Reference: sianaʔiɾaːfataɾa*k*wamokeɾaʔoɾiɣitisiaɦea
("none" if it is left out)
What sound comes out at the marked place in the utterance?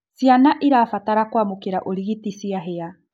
k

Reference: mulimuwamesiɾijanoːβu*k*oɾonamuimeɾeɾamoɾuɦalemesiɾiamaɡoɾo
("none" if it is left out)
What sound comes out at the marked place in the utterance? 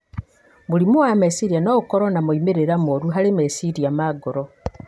k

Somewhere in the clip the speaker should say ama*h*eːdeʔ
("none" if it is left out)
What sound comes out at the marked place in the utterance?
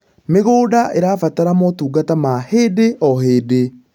h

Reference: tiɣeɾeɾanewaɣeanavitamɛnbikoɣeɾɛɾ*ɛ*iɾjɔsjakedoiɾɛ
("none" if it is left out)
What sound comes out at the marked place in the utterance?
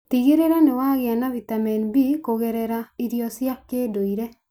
a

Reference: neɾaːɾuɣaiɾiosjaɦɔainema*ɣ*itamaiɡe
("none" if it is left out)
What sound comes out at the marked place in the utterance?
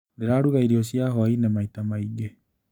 none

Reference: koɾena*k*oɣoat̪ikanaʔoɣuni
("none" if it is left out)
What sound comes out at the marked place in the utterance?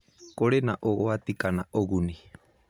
ʔ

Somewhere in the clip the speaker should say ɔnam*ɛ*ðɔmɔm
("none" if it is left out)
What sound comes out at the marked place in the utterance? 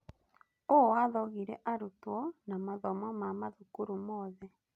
a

